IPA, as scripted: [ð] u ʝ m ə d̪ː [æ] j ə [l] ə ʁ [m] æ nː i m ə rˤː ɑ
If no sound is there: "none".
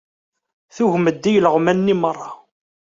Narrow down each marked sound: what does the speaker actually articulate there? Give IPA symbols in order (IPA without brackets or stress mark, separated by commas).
θ, i, l, m